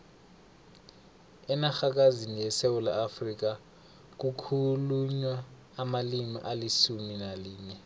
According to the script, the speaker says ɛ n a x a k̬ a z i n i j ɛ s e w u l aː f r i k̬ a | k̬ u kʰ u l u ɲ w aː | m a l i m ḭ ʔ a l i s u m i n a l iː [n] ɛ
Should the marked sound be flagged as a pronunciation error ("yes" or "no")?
yes